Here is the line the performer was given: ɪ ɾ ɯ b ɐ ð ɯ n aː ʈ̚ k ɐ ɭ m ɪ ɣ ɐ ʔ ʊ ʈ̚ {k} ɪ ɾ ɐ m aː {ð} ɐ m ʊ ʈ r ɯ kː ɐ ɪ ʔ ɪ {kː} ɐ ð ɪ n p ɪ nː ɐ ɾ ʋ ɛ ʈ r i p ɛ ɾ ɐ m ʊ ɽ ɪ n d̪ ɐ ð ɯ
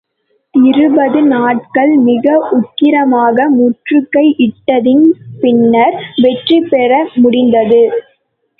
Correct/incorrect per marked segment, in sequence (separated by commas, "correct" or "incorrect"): correct, incorrect, incorrect